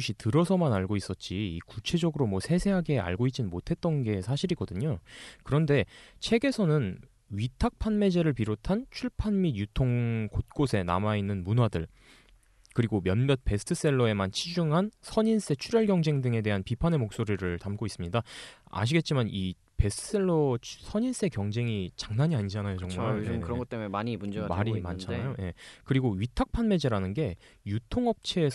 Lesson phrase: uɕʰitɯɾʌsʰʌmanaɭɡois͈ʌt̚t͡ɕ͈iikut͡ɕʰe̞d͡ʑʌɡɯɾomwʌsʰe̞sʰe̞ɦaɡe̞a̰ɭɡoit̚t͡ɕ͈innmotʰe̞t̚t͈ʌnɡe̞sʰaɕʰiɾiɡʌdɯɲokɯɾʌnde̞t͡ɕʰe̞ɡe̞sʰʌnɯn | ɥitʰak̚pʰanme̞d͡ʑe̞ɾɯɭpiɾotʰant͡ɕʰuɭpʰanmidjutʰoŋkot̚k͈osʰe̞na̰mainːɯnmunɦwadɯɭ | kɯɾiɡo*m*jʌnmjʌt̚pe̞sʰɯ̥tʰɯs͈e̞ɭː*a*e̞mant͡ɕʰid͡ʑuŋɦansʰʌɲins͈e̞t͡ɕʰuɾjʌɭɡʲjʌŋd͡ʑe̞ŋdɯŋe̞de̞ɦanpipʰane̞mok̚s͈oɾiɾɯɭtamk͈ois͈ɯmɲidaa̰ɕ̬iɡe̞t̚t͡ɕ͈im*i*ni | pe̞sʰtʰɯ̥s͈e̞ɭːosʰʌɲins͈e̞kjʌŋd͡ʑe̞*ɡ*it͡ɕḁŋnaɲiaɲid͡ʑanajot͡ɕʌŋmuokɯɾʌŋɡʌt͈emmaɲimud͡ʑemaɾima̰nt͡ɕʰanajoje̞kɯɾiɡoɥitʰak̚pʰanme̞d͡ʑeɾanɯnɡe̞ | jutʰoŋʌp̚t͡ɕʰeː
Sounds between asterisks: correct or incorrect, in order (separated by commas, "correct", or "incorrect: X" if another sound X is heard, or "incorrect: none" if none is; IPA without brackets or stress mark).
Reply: correct, incorrect: ʌ, incorrect: a, incorrect: ŋ